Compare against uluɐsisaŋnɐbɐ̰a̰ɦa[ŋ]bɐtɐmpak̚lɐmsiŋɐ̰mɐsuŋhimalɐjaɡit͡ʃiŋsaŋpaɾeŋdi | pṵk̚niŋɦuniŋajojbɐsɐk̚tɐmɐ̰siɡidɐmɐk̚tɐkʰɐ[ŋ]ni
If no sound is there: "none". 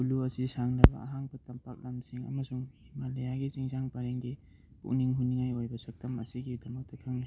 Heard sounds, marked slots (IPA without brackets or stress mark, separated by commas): ŋ, ŋ